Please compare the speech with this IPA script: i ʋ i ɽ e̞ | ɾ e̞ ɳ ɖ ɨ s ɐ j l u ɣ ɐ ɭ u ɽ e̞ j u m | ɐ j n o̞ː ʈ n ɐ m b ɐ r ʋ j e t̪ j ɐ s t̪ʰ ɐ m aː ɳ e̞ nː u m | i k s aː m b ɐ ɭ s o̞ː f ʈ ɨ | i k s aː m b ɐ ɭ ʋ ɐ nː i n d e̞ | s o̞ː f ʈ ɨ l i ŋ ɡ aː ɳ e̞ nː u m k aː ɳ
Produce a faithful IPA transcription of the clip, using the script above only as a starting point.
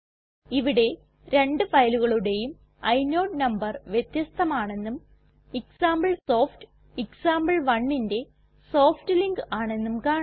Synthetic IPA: i ʋ i ɽ e̞ | ɾ e̞ ɳ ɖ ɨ f ɐ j l u ɣ ɐ ɭ u ɽ e̞ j u m | ɐ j n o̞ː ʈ n ɐ m b ɐ r ʋ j e t̪ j ɐ s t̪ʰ ɐ m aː ɳ e̞ nː u m | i k s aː m b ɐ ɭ s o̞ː f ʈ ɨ | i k s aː m b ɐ ɭ ʋ ɐ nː i n d e̞ | s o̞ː f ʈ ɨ l i ŋ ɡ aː ɳ e̞ nː u m k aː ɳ